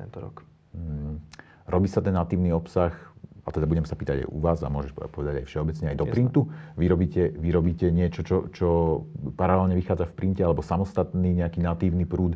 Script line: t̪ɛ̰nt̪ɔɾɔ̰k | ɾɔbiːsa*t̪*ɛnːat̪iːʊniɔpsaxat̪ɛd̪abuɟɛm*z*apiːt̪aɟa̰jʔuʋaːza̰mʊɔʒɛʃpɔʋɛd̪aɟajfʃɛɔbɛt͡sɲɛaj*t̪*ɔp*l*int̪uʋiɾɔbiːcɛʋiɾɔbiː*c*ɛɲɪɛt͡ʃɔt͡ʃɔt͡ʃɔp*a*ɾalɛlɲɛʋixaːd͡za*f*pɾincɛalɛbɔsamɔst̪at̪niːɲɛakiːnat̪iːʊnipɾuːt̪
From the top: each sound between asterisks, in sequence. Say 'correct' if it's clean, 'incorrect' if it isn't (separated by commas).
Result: correct, incorrect, incorrect, incorrect, correct, correct, correct